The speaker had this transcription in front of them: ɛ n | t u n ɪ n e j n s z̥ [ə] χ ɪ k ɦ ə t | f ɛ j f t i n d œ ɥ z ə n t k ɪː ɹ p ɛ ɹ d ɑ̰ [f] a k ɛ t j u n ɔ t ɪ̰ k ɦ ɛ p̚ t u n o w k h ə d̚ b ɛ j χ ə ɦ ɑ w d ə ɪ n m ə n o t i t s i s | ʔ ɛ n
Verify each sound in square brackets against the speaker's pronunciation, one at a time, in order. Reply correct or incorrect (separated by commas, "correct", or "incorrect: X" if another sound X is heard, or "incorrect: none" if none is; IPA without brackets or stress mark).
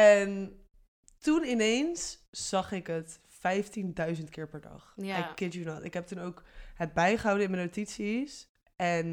incorrect: ɑ, incorrect: χ